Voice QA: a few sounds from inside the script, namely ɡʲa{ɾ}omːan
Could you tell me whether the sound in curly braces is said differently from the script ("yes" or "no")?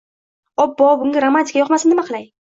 no